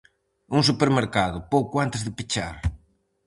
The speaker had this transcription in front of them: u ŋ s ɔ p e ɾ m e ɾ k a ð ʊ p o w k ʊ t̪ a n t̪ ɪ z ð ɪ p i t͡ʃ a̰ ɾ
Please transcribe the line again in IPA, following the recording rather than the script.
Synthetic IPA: u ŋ s u p e ɾ m e ɾ k a ð ʊ p o w k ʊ a n t̪ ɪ z ð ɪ p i t͡ʃ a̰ ɾ